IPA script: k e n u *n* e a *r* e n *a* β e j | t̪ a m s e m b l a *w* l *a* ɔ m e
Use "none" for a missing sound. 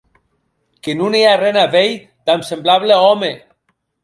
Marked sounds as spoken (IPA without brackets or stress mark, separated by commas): n, r, a, β, e